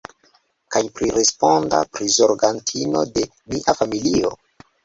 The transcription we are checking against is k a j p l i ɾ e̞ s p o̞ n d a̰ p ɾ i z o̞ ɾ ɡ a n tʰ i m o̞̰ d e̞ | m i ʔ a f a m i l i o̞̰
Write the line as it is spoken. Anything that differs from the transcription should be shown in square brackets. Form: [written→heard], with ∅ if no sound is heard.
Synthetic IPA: k a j p [l→ɾ] i ɾ e̞ s p o̞ n d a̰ p ɾ i z o̞ ɾ ɡ a n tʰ i [m→n] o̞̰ d e̞ | m i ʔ a f a m i l i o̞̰